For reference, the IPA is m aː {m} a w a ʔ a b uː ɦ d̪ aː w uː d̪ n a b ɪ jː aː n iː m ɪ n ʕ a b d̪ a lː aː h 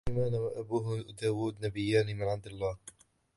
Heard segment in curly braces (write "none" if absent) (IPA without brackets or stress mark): n